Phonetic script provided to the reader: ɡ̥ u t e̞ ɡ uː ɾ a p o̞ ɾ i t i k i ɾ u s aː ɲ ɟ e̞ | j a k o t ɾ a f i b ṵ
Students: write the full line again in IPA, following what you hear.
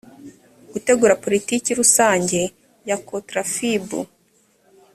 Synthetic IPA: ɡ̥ u t e̞ ɡ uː ɾ a p o̞ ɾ i t i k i ɾ u s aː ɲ ɟ e̞ | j a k o t ɾ a f i b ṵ

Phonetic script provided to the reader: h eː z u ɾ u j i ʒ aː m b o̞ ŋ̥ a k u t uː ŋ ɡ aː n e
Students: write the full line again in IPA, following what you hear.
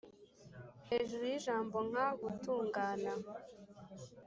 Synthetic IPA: h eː ʒ u ɾ u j i ʒ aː m b o̞ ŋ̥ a ɡ u t uː ŋ ɡ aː n a

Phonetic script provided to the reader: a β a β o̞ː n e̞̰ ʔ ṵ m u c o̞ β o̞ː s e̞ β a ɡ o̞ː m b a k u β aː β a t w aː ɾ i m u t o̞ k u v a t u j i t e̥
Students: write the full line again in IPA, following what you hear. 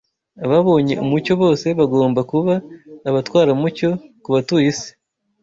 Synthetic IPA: a β a β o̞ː ɲ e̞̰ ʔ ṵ m u c o̞ β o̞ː s e̞ β a ɡ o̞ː m b a k u β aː β a t w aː ɾ a m u c o̞ k u β a t u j i s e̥

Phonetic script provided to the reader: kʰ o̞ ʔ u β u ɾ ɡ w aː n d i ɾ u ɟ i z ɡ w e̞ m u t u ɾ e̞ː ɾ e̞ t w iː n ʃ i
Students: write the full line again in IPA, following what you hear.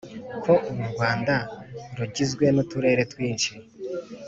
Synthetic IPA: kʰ o̞ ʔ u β u ɾ ɡ w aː n d a ɾ u ɟ i z ɡ w e̞ n u t u ɾ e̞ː ɾ e̞ t w iː n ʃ i

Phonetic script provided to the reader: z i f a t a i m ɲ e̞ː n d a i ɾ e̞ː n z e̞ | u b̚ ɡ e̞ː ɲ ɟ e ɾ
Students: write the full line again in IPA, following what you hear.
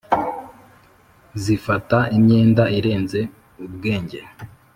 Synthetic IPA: z i f a t a i m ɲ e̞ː n d a i ɾ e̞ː n z e̞ | u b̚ ɡ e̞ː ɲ ɟ e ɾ

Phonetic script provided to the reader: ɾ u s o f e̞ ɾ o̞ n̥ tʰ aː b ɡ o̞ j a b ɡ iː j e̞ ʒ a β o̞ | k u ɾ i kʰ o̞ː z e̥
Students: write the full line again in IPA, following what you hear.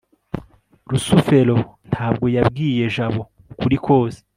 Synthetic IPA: ɾ u s u f e̞ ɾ o̞ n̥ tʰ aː b ɡ o̞ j a b ɡ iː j e̞ ʒ a β o̞ | k u ɾ i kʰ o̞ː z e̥

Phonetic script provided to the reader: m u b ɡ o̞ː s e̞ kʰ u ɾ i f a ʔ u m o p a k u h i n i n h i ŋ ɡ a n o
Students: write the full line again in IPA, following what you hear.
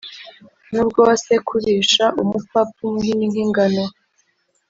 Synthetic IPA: n u b ɡ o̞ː s e̞ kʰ u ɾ i ʃ a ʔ u m u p a p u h i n i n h i ŋ ɡ a n o

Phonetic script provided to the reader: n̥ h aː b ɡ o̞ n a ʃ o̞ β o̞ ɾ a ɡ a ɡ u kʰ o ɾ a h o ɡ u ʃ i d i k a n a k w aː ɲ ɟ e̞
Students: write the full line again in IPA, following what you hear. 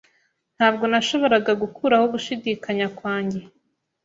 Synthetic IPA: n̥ h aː b ɡ o̞ n a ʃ o̞ β o̞ ɾ a ɡ a ɡ u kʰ u ɾ a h o ɡ u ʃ i d i k a ɲ a k w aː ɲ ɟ e̞

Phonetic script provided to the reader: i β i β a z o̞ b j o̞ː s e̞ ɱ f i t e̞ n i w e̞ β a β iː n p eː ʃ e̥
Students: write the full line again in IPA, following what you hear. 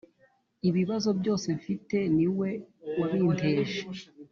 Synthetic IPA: i β i β a z o̞ b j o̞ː s e̞ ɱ f i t e̞ n i w e̞ w a β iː n t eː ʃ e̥

